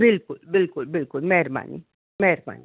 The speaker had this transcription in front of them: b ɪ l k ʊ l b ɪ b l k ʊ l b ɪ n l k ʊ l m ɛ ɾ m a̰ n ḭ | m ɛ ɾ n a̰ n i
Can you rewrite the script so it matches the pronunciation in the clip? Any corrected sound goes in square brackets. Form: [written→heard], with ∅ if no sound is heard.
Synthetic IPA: b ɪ l k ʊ l b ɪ [b→∅] l k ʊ l b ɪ [n→∅] l k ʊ l m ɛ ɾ m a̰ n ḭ | m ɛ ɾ [n→m] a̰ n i